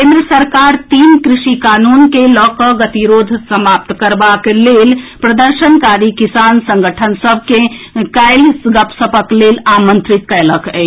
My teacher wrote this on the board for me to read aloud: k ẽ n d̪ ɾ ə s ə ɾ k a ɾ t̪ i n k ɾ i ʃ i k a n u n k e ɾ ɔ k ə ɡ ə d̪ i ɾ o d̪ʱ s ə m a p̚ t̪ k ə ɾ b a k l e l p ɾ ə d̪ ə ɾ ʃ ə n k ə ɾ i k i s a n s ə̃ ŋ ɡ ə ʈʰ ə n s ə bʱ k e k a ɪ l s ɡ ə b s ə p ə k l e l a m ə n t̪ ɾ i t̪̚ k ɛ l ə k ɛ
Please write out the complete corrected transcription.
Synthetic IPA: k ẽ n d̪ ɾ ə s ə ɾ k a ɾ t̪ i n k ɾ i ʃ i k a n u n k e l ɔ k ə ɡ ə t̪ i ɾ o d̪ʱ s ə m a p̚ t̪ k ə ɾ b a k l e l p ɾ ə d̪ ə ɾ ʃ ə n k a ɾ i k i s a n s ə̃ ŋ ɡ ə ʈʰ ə n s ə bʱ k e k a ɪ l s ɡ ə p s ə p ə k l e l a m ə n t̪ ɾ i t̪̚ k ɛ l ə k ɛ

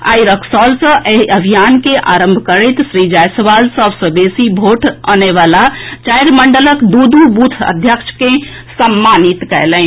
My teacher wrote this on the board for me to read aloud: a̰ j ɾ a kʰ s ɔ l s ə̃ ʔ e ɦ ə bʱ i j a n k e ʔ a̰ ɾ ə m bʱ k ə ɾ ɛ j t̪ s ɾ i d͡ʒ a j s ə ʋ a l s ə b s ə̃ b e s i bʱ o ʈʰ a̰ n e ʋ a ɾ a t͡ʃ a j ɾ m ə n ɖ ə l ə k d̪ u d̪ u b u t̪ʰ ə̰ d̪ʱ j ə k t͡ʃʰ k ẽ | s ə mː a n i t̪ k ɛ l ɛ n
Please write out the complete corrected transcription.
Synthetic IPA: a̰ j ɾ ə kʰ s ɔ l s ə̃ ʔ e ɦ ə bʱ i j a n k e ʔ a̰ ɾ ə m bʱ k ə ɾ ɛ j t̪ s ɾ i d͡ʒ a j s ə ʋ a l s ə b s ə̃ b e s i bʱ o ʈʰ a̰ n e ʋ a l a t͡ʃ a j ɾ m ə ɳ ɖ ə l ə k d̪ u d̪ u b u t̪ʰ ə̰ d̪ʱ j ə k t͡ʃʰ k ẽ | s ə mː a n i t̪ k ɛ l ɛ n

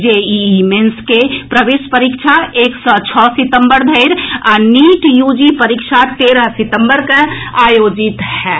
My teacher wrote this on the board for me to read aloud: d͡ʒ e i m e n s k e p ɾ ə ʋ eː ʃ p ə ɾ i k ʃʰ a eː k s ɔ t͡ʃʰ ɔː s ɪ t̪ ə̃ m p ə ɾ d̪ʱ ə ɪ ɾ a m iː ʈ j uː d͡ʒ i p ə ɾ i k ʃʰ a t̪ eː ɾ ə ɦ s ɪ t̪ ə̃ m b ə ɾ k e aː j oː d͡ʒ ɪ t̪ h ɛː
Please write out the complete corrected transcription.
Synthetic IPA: d͡ʒ e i m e n s k e p ɾ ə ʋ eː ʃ p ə ɾ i k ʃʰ a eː k s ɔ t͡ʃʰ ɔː s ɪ t̪ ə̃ m b ə ɾ d̪ʱ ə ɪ ɾ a n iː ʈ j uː d͡ʒ i p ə ɾ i k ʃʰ a t̪ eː ɾ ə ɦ s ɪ t̪ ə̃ m b ə ɾ k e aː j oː d͡ʒ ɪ t̪ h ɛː

